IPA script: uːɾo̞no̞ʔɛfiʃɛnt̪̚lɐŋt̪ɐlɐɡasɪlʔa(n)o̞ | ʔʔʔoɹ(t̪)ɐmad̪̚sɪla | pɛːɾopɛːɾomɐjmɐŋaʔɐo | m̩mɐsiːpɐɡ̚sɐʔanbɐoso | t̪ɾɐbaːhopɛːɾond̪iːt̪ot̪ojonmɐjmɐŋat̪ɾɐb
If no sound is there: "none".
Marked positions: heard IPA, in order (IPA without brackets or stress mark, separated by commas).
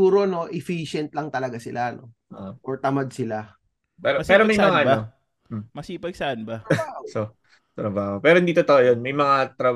n, t̪